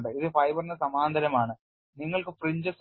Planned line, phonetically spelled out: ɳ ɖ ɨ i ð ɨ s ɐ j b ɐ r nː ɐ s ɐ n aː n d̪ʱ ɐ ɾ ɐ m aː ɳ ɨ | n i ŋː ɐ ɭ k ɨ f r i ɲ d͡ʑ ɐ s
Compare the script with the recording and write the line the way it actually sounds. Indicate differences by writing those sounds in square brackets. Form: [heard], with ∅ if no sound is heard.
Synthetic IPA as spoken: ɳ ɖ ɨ i ð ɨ [f] ɐ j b ɐ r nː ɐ s ɐ [m] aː n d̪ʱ ɐ ɾ ɐ m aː ɳ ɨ | n i ŋː ɐ ɭ k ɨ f r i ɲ d͡ʑ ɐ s

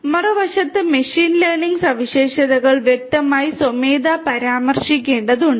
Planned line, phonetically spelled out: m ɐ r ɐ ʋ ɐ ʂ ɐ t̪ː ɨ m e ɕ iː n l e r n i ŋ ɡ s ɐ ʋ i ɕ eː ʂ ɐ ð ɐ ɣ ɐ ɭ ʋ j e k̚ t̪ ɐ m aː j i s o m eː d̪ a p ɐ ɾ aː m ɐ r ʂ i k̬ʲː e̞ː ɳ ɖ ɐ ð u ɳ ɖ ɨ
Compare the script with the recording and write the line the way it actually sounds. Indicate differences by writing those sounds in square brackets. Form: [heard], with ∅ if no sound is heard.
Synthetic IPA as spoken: m ɐ r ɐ ʋ ɐ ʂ ɐ t̪ː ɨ m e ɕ iː n l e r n i ŋ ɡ s ɐ ʋ i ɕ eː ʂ ɐ ð ɐ ɣ ɐ ɭ ʋ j e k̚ t̪ ɐ m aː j i s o m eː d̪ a p ɐ ɾ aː m ɐ r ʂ i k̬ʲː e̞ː ɳ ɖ ɐ ð u ɳ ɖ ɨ

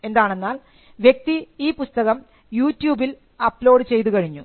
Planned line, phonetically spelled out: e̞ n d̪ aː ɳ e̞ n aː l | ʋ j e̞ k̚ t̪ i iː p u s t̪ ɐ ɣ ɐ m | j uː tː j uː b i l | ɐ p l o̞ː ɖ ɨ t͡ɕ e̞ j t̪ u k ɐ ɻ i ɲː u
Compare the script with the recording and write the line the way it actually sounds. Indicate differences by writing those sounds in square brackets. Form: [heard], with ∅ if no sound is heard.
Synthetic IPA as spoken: e̞ n d̪ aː ɳ e̞ [nː] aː l | ʋ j e̞ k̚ t̪ i iː p u s t̪ ɐ ɣ ɐ m | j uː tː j uː b i l | ɐ p l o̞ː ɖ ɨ t͡ɕ e̞ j t̪ u k ɐ ɻ i ɲː u

